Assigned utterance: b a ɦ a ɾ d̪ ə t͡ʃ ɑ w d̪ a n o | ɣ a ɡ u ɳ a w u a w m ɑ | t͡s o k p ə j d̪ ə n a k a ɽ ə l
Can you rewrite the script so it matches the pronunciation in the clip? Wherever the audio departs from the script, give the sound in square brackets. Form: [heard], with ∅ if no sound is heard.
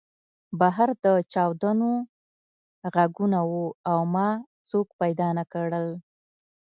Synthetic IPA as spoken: b a ɦ a ɾ d̪ ə t͡ʃ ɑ w d̪ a n o | ɣ a ɡ u [n] a w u a w m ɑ | t͡s o k p [a] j d̪ [ɑ] n a k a ɽ ə l